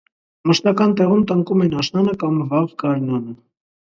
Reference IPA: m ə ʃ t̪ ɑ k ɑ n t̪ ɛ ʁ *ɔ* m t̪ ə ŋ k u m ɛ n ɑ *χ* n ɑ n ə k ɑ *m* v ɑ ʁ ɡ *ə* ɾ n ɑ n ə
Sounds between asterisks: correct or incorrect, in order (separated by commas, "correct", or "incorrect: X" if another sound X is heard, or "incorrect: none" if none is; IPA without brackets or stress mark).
incorrect: u, incorrect: ʃ, correct, incorrect: ɑ